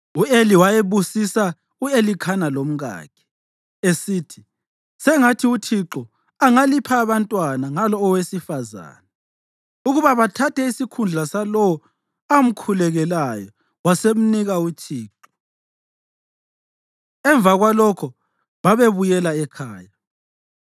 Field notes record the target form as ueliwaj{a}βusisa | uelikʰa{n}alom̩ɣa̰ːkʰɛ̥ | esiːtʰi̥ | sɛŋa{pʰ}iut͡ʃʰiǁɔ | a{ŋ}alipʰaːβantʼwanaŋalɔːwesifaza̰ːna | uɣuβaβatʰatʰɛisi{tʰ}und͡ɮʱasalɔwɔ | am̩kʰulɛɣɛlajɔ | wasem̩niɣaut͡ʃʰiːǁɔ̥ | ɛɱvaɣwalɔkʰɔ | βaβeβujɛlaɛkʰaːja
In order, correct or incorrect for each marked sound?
incorrect: e, correct, incorrect: tʰ, correct, incorrect: kʰ

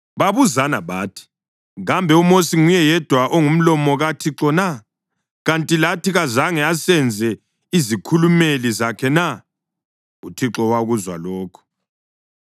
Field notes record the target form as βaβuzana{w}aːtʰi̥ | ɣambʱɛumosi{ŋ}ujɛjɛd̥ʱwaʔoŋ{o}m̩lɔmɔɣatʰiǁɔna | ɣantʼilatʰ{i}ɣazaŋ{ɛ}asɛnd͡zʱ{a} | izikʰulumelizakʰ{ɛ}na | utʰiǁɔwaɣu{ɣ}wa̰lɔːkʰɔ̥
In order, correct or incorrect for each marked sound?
incorrect: β, correct, incorrect: u, correct, correct, incorrect: ɛ, correct, incorrect: z

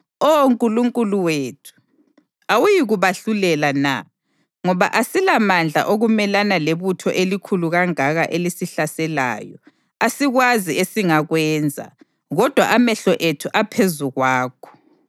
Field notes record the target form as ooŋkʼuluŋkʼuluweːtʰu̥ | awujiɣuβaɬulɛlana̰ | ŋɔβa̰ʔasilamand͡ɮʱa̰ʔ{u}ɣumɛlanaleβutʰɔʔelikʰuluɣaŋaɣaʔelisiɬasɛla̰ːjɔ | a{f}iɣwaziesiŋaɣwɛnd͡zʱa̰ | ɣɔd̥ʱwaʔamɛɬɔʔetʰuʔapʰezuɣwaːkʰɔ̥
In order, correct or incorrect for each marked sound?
incorrect: o, incorrect: s

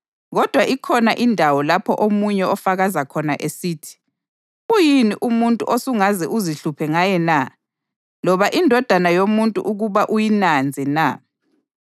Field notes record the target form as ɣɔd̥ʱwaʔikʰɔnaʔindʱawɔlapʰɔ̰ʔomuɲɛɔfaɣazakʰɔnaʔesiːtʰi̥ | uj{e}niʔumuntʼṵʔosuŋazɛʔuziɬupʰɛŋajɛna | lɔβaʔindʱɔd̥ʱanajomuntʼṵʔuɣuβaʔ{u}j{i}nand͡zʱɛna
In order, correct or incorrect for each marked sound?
incorrect: i, correct, correct

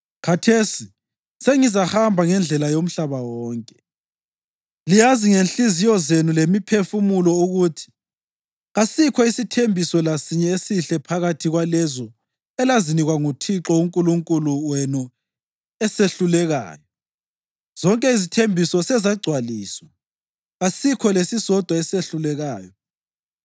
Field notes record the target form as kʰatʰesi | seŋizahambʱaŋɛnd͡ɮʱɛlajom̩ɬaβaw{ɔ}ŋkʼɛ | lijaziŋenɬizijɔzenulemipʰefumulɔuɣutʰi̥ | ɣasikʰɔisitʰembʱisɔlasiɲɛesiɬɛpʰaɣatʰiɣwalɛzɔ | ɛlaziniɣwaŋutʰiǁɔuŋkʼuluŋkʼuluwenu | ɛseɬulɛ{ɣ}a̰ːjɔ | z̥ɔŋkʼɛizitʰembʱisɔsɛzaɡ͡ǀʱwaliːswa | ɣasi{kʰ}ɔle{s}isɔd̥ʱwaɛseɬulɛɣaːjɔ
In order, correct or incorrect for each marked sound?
incorrect: ɔː, correct, correct, correct

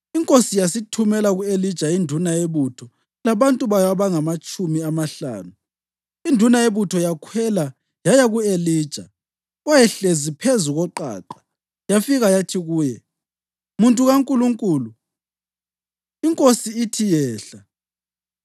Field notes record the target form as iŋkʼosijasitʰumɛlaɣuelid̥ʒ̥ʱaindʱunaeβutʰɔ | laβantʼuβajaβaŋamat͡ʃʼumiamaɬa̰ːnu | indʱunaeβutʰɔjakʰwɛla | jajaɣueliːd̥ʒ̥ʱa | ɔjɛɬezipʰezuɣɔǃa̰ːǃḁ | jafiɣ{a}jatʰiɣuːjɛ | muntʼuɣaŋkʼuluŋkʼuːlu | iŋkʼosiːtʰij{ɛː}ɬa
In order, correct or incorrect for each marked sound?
correct, correct

